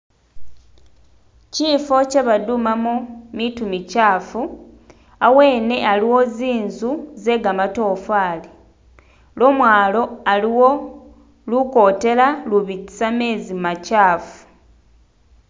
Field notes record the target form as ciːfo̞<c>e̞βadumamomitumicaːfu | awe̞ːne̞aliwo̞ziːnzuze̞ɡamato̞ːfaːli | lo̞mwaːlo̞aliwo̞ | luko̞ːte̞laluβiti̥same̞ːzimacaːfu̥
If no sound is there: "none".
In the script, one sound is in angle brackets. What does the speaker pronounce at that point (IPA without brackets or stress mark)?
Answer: c